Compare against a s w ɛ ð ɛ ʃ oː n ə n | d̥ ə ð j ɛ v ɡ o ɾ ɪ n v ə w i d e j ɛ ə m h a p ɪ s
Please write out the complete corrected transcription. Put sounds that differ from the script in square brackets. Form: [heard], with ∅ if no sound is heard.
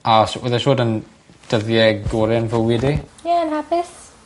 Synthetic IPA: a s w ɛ ð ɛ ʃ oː [d] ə n | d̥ ə ð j ɛ [∅] ɡ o ɾ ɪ n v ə w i d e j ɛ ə [n] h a p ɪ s